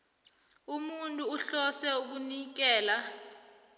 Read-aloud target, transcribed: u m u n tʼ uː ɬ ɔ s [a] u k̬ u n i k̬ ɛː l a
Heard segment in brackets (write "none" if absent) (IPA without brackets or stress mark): ɛ